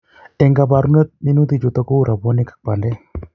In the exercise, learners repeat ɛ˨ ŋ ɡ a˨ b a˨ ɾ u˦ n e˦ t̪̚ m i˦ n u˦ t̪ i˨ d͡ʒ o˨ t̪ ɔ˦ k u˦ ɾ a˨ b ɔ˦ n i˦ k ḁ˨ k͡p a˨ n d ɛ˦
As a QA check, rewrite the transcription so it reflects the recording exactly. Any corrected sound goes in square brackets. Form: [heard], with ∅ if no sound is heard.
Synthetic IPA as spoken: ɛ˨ ŋ ɡ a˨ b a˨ ɾ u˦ n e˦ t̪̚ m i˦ n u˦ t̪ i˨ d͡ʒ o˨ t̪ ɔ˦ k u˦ ɾ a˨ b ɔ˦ n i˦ k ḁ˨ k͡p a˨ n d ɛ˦